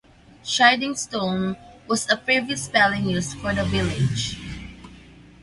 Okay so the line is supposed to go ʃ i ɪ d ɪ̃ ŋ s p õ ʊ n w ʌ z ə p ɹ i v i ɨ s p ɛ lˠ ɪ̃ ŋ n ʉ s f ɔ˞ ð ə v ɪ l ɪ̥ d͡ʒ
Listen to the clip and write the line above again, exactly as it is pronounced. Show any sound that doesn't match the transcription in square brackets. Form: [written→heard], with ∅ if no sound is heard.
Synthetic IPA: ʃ [i→a] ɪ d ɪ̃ ŋ s [p→t] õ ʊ n w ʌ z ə p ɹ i v i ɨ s p ɛ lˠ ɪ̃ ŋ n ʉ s f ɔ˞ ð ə v ɪ l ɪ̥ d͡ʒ